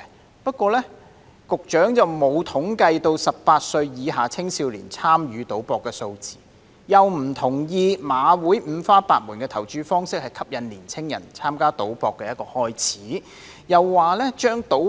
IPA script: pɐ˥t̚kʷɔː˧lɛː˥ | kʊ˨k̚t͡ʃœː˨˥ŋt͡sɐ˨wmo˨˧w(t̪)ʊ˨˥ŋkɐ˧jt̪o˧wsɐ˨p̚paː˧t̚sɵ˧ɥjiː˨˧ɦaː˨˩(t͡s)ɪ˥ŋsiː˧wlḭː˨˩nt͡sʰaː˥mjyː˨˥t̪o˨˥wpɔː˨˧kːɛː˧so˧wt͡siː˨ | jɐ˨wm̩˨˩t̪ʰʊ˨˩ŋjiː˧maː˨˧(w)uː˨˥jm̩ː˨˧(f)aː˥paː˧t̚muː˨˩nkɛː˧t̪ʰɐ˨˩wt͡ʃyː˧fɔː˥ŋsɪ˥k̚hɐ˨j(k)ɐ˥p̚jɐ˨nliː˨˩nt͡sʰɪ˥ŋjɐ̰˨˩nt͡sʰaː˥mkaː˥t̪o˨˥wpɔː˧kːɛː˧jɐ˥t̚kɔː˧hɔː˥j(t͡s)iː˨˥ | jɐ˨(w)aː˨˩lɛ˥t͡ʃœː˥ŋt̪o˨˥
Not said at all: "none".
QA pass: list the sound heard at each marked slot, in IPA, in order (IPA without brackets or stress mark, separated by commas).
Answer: t̪ʰ, t͡sʰ, w, f, kʰ, t͡sʰ, wː